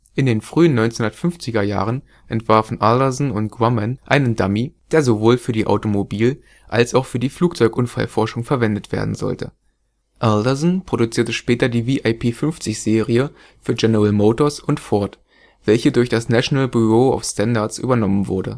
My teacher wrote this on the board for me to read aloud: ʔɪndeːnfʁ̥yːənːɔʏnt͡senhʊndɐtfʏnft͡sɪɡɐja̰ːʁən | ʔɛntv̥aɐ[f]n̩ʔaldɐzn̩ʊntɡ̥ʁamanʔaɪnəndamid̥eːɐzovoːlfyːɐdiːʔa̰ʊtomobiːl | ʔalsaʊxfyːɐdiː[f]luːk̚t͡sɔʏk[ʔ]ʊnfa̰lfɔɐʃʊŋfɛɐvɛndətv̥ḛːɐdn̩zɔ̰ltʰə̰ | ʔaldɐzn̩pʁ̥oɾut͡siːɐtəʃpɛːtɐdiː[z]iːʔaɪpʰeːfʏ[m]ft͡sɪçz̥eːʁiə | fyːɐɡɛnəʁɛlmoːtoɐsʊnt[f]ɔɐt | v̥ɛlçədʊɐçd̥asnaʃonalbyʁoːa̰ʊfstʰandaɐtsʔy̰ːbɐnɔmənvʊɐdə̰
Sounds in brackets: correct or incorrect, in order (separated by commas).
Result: correct, correct, correct, incorrect, incorrect, correct